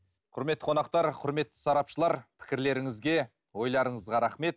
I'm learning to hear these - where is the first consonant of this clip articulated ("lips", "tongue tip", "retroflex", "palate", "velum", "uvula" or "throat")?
uvula